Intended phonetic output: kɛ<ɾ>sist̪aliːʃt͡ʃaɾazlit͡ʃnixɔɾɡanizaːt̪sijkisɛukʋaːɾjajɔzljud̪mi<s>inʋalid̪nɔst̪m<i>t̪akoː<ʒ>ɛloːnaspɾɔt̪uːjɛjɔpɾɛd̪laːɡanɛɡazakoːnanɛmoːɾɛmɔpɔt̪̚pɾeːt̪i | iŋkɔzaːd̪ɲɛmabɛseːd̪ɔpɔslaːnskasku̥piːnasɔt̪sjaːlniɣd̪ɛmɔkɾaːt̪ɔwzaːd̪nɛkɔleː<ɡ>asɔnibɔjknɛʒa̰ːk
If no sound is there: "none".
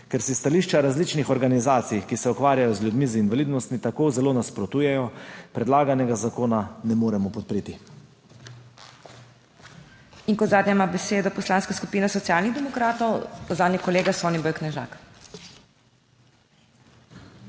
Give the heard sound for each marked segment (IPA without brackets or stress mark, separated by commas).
ɾ, z, i, z, ɡ